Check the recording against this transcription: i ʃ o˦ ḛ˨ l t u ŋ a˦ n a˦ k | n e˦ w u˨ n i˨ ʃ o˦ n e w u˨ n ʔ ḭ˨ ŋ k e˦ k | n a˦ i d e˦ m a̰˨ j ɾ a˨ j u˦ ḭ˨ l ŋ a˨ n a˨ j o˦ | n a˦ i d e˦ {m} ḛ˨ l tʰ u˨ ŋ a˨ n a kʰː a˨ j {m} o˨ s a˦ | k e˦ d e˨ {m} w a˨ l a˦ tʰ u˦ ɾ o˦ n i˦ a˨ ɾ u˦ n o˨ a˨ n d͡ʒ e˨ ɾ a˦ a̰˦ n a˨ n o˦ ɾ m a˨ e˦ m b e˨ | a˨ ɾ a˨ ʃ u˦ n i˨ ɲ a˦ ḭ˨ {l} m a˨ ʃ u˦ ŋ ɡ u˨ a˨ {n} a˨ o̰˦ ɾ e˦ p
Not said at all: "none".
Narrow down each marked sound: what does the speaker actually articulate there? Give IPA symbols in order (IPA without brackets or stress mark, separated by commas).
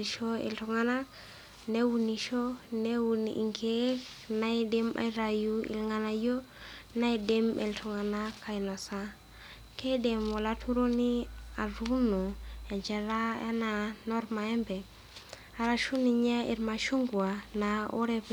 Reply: m, n, m, ɾ, n